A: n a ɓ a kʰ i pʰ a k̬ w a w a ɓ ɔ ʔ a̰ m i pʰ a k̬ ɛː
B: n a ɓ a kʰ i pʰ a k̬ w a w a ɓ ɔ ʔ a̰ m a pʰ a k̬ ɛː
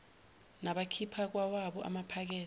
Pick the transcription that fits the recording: B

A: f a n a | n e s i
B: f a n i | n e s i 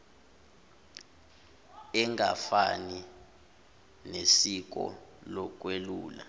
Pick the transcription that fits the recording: B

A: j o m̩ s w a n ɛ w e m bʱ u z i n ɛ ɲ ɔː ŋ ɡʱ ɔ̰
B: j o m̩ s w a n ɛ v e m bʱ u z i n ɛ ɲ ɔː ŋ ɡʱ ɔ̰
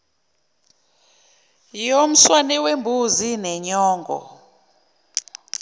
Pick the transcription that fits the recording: A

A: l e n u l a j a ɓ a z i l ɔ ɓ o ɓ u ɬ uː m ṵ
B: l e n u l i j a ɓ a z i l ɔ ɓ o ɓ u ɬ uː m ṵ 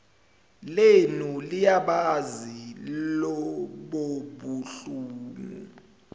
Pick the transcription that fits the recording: B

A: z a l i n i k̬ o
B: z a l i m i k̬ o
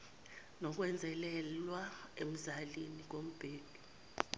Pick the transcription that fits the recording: A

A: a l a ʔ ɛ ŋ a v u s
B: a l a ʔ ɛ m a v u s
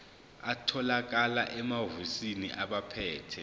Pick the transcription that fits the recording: B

